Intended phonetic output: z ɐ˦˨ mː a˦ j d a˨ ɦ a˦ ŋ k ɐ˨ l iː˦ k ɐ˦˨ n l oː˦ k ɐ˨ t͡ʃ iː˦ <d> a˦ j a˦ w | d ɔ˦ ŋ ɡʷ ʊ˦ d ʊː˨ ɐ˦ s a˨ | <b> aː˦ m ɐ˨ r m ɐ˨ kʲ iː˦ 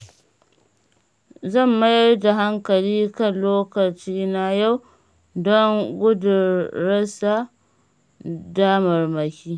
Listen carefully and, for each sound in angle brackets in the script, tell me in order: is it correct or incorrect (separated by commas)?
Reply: incorrect, incorrect